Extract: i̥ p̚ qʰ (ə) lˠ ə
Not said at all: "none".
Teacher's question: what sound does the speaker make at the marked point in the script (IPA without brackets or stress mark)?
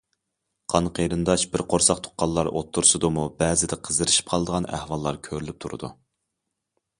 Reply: ɑ